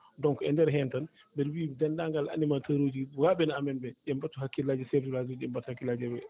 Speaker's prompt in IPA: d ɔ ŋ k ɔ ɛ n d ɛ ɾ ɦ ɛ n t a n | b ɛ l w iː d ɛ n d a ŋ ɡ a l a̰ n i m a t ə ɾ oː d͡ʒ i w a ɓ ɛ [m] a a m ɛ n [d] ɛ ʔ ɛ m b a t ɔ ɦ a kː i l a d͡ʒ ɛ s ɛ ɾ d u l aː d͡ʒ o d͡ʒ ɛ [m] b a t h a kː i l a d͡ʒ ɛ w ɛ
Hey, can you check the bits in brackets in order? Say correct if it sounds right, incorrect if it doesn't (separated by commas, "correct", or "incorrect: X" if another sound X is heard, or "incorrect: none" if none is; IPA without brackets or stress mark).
incorrect: n, incorrect: b, correct